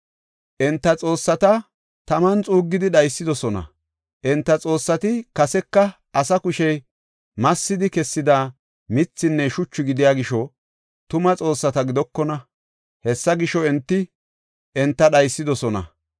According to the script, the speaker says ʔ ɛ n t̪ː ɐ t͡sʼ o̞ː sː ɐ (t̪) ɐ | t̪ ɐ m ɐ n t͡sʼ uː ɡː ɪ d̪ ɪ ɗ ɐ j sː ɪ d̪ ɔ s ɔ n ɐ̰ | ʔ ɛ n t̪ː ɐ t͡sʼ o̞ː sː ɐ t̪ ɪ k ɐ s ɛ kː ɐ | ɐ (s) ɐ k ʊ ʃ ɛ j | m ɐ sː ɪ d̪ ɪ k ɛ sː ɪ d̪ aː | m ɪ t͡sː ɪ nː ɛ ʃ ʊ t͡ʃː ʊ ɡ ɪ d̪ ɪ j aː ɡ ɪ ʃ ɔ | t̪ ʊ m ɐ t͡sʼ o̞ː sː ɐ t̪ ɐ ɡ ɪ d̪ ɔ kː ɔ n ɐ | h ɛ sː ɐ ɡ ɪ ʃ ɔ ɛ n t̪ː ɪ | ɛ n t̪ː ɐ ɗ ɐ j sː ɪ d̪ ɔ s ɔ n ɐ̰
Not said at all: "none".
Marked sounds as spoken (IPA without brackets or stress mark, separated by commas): t̪, s